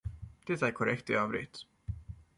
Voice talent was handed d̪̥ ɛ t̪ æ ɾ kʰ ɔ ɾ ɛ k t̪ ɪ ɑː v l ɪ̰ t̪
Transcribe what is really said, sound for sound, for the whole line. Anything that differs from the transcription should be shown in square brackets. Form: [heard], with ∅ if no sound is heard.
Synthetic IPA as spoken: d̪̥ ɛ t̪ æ ɾ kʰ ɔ ɾ ɛ k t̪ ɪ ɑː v [ɾ] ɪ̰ t̪